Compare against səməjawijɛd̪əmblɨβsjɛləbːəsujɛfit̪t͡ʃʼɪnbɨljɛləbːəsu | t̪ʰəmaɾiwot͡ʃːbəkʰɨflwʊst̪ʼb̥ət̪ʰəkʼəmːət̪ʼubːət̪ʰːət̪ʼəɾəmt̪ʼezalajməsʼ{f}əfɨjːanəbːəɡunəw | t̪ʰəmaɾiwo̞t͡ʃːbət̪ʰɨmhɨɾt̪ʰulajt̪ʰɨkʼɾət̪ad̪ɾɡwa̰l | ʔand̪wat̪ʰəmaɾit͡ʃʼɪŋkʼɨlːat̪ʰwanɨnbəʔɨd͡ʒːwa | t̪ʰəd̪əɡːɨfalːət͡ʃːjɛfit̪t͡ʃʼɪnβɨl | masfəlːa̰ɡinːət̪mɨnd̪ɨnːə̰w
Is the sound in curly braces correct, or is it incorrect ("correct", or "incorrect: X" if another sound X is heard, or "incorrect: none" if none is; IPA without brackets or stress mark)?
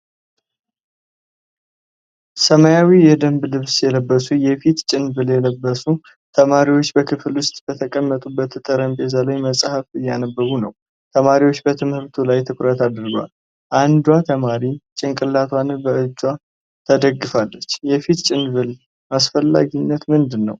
incorrect: h